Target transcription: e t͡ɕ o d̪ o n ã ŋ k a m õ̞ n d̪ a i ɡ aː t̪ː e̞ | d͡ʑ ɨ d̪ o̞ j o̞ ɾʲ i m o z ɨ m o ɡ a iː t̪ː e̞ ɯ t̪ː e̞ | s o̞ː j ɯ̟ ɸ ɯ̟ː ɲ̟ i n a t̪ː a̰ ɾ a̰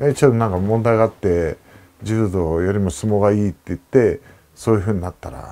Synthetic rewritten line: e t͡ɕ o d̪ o n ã ŋ k a m õ̞ n d̪ a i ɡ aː t̪ː e̞ | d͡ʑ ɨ d̪ o̞ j o̞ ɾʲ i m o s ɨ m o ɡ a iː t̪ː e̞ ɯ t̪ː e̞ | s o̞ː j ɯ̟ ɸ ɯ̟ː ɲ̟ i n a t̪ː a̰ ɾ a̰

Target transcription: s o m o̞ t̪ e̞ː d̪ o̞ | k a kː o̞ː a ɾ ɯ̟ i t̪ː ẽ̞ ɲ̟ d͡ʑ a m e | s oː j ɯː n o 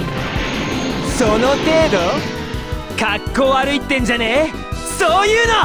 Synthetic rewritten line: s o n o̞ t̪ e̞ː d̪ o̞ | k a kː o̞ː a ɾ ɯ̟ i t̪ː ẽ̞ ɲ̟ d͡ʑ a n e | s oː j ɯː n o

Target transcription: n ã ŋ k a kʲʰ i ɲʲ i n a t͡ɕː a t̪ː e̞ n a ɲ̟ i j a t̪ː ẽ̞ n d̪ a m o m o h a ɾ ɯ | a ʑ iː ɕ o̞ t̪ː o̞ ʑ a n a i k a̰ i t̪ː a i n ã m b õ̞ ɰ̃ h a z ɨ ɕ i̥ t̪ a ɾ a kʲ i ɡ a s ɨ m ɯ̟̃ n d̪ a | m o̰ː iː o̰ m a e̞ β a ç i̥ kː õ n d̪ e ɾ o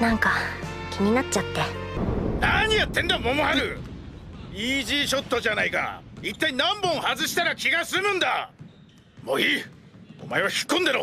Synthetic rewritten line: n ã ŋ k a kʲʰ i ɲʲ i n a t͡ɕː a t̪ː e̞ n a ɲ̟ i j a t̪ː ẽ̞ n d̪ a m o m o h a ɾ ɯ | i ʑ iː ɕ o̞ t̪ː o̞ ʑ a n a i k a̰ i t̪ː a i n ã m b õ̞ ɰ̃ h a z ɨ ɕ i̥ t̪ a ɾ a kʲ i ɡ a s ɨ m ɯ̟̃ n d̪ a | m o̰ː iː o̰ m a e̞ β a ç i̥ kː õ n d̪ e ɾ o

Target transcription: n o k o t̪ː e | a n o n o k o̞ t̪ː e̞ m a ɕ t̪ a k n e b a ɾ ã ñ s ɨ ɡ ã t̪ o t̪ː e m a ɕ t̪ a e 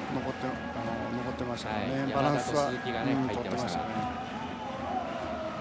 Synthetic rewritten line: n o k o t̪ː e | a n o n o k o̞ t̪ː e̞ m a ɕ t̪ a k n e b a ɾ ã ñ s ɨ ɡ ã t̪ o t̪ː e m a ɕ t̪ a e

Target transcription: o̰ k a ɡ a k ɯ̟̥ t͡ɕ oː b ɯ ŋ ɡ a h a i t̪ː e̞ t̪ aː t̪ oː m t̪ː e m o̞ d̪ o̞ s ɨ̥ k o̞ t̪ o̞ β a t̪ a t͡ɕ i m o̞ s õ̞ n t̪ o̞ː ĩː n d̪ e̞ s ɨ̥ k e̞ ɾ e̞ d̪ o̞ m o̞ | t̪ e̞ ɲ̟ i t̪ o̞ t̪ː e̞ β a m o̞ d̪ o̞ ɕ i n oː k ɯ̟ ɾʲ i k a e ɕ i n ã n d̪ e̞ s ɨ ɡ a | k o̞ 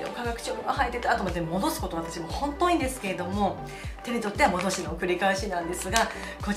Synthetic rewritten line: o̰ k a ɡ a k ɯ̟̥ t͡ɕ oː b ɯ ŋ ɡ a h a i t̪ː e̞ t̪ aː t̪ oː m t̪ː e m o̞ d̪ o̞ s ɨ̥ k o̞ t̪ o̞ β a t̪ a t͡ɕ i m o̞ h õ̞ n t̪ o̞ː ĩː n d̪ e̞ s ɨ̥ k e̞ ɾ e̞ d̪ o̞ m o̞ | t̪ e̞ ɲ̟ i t̪ o̞ t̪ː e̞ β a m o̞ d̪ o̞ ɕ i n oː k ɯ̟ ɾʲ i k a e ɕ i n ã n d̪ e̞ s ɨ ɡ a | k o̞

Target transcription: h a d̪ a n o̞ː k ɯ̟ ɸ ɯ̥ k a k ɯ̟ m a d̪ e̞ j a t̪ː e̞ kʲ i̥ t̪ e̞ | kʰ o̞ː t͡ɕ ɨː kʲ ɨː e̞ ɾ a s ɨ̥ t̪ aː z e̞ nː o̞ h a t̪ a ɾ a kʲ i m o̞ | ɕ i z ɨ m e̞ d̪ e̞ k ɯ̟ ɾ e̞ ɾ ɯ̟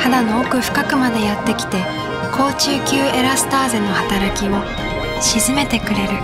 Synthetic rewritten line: h a d̪ a n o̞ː k ɯ̟ ɸ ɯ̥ k a k ɯ̟ m a d̪ e̞ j a t̪ː e̞ kʲ i̥ t̪ e̞ | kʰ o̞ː t͡ɕ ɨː kʲ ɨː e̞ ɾ a s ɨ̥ t̪ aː z e̞ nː o̞ h a t̪ a ɾ a kʲ i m o̞ | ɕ i z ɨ m e̞ t̪ e̞ k ɯ̟ ɾ e̞ ɾ ɯ̟

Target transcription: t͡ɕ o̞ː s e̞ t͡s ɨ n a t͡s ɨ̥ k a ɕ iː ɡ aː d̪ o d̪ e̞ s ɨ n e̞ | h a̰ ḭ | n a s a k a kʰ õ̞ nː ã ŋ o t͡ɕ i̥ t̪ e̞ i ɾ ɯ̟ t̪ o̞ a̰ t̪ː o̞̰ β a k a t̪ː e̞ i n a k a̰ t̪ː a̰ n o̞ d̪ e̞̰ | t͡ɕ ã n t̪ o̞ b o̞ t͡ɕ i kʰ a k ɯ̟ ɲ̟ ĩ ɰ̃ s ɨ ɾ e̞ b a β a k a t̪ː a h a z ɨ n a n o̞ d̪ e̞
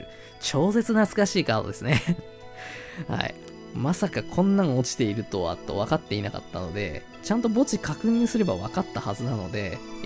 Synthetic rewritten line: t͡ɕ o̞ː s e̞ t͡s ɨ n a t͡s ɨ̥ k a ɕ iː k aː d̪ o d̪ e̞ s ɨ n e̞ | h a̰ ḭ | m a s a k a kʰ õ̞ nː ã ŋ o t͡ɕ i̥ t̪ e̞ i ɾ ɯ̟ t̪ o̞ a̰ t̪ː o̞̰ β a k a t̪ː e̞ i n a k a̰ t̪ː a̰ n o̞ d̪ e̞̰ | t͡ɕ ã n t̪ o̞ b o̞ t͡ɕ i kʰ a k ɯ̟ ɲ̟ ĩ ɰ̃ s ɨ ɾ e̞ b a β a k a t̪ː a h a z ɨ n a n o̞ d̪ e̞

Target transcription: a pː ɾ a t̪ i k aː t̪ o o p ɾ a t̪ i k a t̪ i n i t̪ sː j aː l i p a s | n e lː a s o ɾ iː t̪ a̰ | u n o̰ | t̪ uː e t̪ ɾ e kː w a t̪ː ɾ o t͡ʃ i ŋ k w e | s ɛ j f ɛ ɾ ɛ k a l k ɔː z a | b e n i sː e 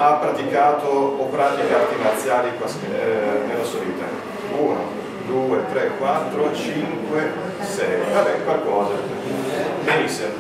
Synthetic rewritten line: a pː ɾ a t̪ i k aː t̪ o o p ɾ a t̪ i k a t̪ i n a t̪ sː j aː l i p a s | n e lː a s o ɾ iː t̪ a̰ | u n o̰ | d̪ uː e t̪ ɾ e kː w a t̪ː ɾ o t͡ʃ i ŋ k w e | s ɛ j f a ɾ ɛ k a l k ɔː z a | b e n i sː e

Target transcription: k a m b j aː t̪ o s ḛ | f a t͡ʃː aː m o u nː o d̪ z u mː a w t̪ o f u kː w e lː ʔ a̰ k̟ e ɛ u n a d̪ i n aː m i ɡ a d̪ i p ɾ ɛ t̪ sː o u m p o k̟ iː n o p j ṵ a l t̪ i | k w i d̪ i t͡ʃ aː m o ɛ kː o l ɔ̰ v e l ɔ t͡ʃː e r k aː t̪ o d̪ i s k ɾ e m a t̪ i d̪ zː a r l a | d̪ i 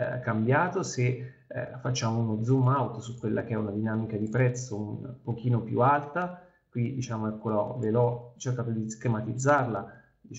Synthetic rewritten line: k a m b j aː t̪ o s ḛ | f a t͡ʃː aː m o u n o d̪ z u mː a w t̪ o s u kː w e lː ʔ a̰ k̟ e ɛ u n a d̪ i n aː m i k a d̪ i p ɾ ɛ t̪ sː o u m p o k̟ iː n o p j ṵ a l t̪ a | k w i d̪ i t͡ʃ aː m o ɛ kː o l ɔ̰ v e l ɔ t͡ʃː e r k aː t̪ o d̪ i s k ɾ e m a t̪ i d̪ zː a r l a | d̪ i

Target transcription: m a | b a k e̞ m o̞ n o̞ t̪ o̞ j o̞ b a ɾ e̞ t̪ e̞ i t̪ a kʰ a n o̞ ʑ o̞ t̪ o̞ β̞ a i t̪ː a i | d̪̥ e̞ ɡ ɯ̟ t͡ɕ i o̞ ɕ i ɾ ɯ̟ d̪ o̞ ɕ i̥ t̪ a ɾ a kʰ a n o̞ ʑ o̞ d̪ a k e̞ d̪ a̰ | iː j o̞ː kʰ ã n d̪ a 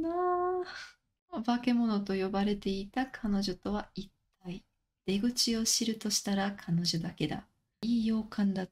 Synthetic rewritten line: n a | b a k e̞ m o̞ n o̞ t̪ o̞ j o̞ b a ɾ e̞ t̪ e̞ i t̪ a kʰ a n o̞ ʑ o̞ t̪ o̞ β̞ a i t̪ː a i | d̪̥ e̞ ɡ ɯ̟ t͡ɕ i o̞ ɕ i ɾ ɯ̟ t̪ o̞ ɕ i̥ t̪ a ɾ a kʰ a n o̞ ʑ o̞ d̪ a k e̞ d̪ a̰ | iː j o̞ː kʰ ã n d̪ a

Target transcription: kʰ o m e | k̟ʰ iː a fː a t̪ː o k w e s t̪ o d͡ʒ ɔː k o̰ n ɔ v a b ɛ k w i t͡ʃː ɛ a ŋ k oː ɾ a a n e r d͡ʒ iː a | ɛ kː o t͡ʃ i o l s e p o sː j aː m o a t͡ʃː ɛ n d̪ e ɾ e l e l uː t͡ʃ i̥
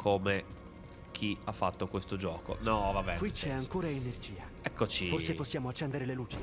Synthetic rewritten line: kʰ o m e | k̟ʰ i a fː a t̪ː o k w e s t̪ o d͡ʒ ɔː k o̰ n ɔ v a b ɛ k w i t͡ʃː ɛ a ŋ k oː ɾ a e n e r d͡ʒ iː a | ɛ kː o t͡ʃ i o r s e p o sː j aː m o a t͡ʃː ɛ n d̪ e ɾ e l e l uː t͡ʃ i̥

